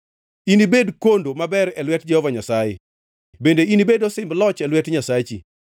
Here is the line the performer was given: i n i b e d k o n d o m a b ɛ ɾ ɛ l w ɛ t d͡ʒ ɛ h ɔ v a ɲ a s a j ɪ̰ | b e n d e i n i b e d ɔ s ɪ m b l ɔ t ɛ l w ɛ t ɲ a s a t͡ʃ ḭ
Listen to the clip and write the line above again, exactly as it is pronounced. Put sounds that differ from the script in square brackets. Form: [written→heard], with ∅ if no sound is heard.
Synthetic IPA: i n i b e d k o n d o m a b ɛ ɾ ɛ l w ɛ t d͡ʒ ɛ h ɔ v a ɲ a s a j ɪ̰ | b e n d e i n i b e d ɔ s ɪ m b l ɔ [t→t͡ʃ] ɛ l w ɛ t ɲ a s a t͡ʃ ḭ